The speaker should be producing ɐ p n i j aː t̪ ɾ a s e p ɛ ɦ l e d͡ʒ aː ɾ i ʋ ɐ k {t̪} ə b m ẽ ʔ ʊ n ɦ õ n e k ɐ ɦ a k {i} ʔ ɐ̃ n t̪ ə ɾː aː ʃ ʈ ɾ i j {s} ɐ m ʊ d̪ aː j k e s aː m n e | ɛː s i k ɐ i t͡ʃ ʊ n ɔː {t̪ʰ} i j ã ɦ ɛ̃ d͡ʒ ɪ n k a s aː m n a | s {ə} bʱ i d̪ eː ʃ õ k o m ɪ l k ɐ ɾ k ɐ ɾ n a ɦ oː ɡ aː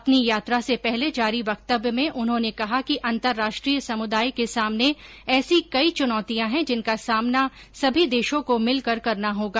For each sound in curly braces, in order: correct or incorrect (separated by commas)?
correct, correct, correct, incorrect, incorrect